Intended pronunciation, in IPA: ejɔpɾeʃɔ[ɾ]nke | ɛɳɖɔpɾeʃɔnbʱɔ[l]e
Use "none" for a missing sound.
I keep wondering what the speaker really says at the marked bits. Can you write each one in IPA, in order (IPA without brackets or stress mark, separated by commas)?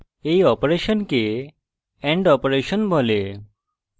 none, l